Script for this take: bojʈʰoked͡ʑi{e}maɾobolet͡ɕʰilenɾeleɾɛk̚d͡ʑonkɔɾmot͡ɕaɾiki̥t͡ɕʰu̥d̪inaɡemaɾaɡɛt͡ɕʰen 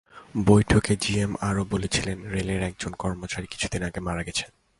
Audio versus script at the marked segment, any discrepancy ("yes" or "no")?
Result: no